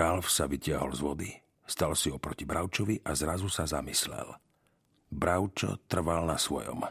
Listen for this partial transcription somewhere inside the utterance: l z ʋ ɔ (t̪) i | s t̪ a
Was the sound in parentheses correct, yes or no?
no